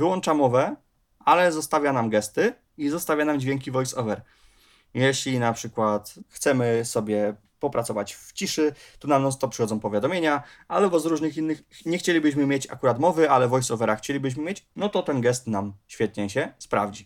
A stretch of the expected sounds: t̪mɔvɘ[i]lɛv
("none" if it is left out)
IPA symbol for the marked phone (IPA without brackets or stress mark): a